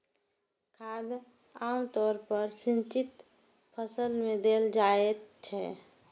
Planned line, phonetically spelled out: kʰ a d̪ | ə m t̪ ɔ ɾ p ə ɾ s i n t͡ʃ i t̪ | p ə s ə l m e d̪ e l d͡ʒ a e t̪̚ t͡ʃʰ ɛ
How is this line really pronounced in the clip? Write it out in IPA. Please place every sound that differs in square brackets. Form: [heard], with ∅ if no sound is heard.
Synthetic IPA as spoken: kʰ a d̪ | [a] m t̪ ɔ ɾ p ə ɾ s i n t͡ʃ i t̪ | [pʰ] ə s ə l m e d̪ e l d͡ʒ a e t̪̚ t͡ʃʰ ɛ